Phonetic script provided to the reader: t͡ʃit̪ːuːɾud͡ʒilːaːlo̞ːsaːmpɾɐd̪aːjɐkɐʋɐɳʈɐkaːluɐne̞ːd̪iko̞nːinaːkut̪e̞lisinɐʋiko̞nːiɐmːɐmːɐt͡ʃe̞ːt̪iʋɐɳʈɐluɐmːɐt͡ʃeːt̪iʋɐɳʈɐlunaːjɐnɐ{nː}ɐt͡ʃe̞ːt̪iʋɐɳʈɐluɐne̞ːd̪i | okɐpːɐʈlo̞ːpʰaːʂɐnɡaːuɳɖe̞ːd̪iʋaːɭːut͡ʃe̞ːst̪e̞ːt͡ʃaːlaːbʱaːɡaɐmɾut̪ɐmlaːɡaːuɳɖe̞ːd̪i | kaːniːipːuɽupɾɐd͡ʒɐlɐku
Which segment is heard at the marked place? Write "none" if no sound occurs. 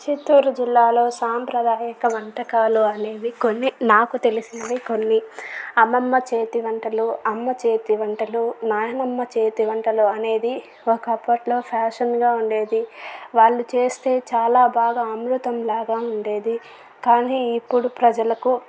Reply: mː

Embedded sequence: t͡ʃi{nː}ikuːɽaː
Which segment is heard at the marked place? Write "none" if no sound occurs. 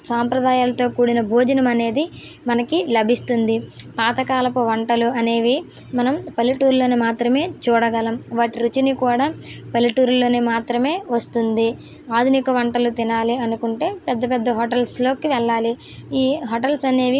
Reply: n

